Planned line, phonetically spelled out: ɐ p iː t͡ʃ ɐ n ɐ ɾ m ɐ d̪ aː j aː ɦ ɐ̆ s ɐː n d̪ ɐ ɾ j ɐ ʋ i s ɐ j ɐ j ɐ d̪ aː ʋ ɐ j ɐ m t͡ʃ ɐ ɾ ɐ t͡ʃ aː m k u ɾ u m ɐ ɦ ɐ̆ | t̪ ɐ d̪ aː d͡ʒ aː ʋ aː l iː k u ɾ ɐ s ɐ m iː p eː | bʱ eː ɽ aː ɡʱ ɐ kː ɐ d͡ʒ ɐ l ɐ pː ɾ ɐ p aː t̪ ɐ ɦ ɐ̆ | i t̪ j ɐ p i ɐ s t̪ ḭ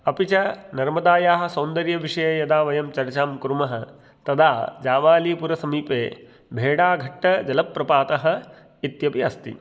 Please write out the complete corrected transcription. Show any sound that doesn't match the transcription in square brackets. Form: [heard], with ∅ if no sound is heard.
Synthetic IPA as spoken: ɐ p [i] t͡ʃ ɐ n ɐ ɾ m ɐ d̪ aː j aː ɦ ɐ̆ s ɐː n d̪ ɐ ɾ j ɐ ʋ i [ʂ] ɐ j ɐ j ɐ d̪ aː ʋ ɐ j ɐ m t͡ʃ ɐ ɾ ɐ t͡ʃ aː m k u ɾ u m ɐ ɦ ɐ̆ | t̪ ɐ d̪ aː d͡ʒ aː ʋ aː l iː [p] u ɾ ɐ s ɐ m iː p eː | bʱ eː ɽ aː ɡʱ ɐ [ʈː] ɐ d͡ʒ ɐ l ɐ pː ɾ ɐ p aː t̪ ɐ ɦ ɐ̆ | i t̪ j ɐ p i ɐ s t̪ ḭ